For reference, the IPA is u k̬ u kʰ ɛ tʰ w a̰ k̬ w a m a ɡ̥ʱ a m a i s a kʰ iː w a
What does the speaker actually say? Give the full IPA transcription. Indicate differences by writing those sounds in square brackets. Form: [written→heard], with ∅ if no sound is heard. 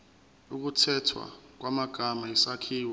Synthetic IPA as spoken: u k̬ u [kʰ→tʰ] ɛ tʰ w a̰ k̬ w a m a ɡ̥ʱ a m a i s a kʰ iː w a

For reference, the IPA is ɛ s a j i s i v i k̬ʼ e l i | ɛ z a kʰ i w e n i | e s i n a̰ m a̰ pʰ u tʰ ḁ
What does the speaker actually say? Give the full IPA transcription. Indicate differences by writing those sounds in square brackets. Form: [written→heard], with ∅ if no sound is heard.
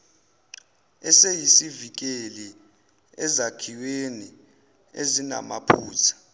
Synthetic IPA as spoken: ɛ s [a→e] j i s i v i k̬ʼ e l i | ɛ z a kʰ i w e n i | e [s→z] i n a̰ m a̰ pʰ [u→uː] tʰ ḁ

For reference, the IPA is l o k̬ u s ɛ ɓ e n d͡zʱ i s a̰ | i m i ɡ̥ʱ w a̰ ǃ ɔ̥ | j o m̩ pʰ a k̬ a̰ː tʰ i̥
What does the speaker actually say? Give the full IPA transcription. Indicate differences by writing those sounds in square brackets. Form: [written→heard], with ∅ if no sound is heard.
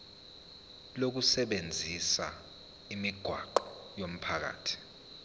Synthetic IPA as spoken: l o k̬ u s ɛ ɓ e n d͡zʱ i s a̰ | i m i ɡ̥ʱ w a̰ ǃ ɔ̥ | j o m̩ pʰ a k̬ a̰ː tʰ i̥

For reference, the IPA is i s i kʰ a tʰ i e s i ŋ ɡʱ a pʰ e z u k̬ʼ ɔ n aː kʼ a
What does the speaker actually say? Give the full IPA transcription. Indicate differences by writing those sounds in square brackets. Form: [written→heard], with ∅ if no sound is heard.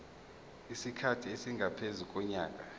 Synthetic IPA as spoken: i s i kʰ a tʰ i e s i ŋ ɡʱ a pʰ e z u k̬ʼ ɔ [n→ɲ] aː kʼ a

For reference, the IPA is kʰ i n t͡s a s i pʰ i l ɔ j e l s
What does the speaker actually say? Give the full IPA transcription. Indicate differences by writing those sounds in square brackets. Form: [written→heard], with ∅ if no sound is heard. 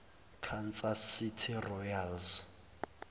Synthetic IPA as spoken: kʰ [i→a] n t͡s a s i [pʰ→tʰ] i [l→r] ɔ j [e→a] l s

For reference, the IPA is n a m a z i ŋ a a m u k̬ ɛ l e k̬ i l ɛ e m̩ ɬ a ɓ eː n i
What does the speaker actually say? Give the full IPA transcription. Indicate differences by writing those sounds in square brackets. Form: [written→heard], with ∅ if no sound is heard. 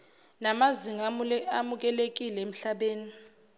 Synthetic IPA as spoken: n a m a z i ŋ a a m u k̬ ɛ l e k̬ i l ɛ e m̩ ɬ a ɓ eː n i

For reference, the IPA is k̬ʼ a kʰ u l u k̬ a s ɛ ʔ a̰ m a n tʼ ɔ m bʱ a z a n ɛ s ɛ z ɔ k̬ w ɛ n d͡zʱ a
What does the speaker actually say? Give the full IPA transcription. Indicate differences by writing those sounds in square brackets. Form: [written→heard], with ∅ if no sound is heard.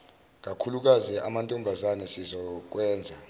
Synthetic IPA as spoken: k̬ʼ a kʰ u l u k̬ a [s→z] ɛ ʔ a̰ m a n tʼ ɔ m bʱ a z a n ɛ s [ɛ→i] z ɔ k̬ w [ɛ→ɛː] n d͡zʱ a

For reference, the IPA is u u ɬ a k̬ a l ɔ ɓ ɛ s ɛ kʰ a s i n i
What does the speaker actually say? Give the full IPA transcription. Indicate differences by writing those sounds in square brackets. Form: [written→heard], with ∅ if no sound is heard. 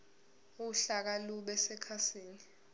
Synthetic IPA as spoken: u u ɬ a k̬ a l [ɔ→u] ɓ ɛ s ɛ kʰ a s [i→iː] n i

